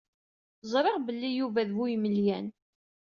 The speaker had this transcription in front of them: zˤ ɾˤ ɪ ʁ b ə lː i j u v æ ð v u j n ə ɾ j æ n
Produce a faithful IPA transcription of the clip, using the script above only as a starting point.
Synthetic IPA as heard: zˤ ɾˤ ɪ ʁ b ə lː i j u v æ ð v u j m ə l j æ n